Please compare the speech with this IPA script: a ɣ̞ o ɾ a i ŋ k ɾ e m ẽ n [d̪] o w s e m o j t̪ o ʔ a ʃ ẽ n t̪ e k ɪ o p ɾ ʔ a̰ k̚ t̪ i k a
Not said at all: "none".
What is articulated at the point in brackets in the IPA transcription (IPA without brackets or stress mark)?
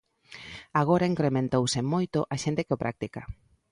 t̪